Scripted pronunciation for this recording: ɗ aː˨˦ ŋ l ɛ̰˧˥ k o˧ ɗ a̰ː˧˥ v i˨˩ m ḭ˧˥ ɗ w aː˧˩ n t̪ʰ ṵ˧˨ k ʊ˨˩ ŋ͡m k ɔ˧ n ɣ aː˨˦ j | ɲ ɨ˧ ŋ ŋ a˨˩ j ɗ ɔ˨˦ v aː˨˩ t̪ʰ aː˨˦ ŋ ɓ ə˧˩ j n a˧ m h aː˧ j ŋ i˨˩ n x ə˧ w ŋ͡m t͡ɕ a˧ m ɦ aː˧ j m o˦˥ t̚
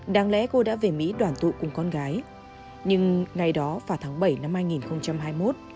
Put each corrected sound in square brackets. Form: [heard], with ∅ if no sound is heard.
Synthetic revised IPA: ɗ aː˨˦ ŋ l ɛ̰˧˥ k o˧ ɗ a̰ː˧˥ v [e˨˩] m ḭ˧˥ ɗ w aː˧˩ n [t̪] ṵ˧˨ k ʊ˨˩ ŋ͡m k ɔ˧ n ɣ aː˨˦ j | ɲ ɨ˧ ŋ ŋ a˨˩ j ɗ ɔ˨˦ v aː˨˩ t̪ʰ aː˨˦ ŋ ɓ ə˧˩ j n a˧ m h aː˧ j ŋ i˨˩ n x ə˧ w ŋ͡m t͡ɕ a˧ m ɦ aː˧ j m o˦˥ t̚